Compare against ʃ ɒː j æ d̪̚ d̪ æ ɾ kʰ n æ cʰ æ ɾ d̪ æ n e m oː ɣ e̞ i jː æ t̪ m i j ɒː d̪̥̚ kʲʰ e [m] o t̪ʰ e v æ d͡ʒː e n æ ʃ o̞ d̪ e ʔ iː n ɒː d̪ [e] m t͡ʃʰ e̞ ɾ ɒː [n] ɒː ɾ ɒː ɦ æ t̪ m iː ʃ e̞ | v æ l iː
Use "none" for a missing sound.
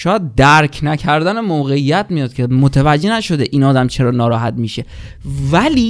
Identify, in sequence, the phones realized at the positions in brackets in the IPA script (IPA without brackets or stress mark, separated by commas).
m, æ, n